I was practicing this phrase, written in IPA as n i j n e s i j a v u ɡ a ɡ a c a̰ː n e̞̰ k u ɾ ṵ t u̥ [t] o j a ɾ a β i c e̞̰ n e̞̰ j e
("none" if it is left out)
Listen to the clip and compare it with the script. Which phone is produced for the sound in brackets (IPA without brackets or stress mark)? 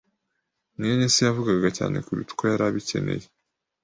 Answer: k